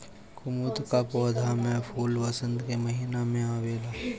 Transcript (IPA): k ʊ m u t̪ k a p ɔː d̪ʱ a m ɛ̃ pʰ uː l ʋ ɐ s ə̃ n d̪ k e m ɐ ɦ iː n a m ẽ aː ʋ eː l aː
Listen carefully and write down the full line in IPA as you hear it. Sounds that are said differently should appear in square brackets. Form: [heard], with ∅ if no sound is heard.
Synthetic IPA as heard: k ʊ m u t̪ k a p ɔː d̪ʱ a m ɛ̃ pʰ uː l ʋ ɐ s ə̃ n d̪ k e m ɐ ɦ iː n a m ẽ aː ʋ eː l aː